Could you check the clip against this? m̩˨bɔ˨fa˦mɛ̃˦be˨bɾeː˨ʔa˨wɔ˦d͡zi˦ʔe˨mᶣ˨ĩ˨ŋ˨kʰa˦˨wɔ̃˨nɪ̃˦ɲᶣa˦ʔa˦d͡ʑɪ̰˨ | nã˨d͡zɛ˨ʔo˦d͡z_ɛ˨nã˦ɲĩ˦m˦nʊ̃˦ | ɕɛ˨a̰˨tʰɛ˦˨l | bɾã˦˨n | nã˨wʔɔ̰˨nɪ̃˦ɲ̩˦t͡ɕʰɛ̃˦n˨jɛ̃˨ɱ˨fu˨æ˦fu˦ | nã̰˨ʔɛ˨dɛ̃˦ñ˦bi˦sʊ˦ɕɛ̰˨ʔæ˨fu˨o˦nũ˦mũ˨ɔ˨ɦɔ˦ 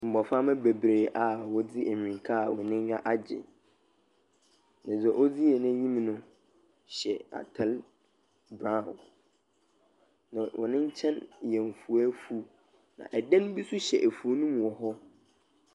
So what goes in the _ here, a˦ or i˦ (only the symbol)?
i˦